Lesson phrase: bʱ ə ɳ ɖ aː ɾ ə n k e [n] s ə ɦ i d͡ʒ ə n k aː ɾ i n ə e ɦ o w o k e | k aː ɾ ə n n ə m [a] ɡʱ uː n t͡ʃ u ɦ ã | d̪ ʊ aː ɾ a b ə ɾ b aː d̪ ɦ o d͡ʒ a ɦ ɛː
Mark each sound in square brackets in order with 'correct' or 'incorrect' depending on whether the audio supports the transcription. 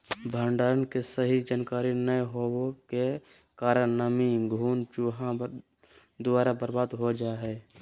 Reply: incorrect, incorrect

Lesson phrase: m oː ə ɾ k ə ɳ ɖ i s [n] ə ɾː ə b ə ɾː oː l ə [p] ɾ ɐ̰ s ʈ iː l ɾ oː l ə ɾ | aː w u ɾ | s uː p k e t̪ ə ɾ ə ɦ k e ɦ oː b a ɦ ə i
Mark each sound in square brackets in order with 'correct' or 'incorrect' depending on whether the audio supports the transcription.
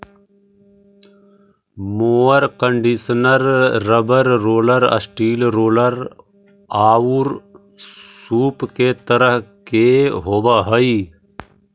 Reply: correct, incorrect

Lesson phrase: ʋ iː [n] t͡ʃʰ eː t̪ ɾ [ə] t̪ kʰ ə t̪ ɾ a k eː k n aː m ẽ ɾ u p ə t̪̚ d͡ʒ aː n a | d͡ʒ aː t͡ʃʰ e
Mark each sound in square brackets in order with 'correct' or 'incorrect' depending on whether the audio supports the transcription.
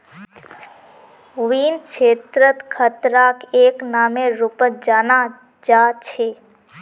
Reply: correct, correct

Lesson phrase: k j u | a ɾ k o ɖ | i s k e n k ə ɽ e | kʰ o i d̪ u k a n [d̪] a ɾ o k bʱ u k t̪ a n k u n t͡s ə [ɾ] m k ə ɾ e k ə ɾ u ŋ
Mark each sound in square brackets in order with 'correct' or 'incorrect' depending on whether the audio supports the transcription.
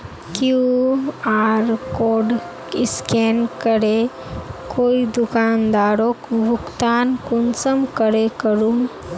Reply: correct, incorrect

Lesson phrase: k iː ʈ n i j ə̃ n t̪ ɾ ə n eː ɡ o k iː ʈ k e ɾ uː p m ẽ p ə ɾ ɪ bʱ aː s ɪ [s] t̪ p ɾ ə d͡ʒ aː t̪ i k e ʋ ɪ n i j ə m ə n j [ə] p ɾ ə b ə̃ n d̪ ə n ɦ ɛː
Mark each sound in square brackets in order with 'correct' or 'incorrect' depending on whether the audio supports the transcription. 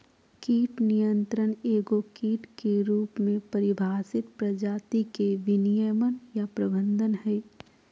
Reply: incorrect, incorrect

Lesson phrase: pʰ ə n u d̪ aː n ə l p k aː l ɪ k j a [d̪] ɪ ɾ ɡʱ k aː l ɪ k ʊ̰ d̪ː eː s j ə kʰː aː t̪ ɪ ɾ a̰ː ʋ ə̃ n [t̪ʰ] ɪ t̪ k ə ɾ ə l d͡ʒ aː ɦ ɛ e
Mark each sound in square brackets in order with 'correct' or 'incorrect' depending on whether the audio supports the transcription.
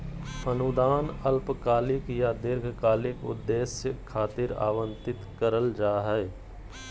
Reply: correct, incorrect

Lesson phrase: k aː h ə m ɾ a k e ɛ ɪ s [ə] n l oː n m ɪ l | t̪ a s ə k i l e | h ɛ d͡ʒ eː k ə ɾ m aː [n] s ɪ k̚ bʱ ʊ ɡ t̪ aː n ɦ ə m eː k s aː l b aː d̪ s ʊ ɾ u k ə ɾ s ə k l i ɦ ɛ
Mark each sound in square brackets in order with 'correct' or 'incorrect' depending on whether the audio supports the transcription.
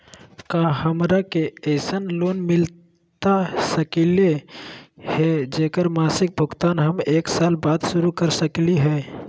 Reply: correct, incorrect

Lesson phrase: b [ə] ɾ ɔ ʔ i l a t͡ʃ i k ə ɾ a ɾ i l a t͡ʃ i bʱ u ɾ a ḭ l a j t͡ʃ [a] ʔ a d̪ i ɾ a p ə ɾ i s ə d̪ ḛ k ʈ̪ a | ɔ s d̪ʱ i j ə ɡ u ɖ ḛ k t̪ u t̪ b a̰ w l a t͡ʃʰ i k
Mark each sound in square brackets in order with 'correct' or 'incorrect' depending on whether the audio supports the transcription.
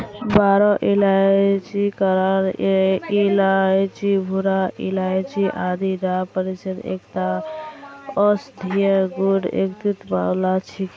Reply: incorrect, incorrect

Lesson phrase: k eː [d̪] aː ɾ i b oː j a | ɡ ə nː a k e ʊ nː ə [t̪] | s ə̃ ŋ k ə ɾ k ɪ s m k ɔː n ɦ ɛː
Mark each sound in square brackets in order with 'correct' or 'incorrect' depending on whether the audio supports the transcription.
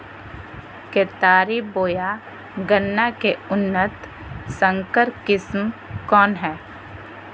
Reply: incorrect, correct

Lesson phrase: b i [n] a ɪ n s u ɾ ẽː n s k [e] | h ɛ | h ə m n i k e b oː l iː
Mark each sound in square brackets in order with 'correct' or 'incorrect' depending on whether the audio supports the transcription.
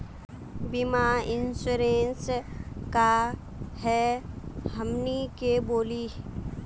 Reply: incorrect, incorrect

